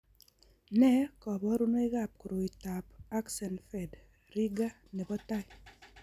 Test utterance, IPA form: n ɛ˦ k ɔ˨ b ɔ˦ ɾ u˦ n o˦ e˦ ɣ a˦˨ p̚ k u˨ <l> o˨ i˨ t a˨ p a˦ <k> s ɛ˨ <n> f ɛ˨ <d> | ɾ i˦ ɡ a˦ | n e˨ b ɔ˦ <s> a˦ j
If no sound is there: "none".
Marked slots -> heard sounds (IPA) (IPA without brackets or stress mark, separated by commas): ɾ, k, n, d, t